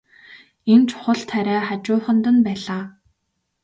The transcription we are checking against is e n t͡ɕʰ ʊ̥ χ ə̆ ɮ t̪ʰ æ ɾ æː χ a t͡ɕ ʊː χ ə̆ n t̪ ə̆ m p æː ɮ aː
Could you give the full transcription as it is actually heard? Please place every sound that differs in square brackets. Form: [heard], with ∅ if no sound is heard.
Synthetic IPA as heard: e n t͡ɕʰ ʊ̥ χ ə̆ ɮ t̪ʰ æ ɾ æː χ a t͡ɕ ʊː χ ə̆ n t̪ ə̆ [n] p æː ɮ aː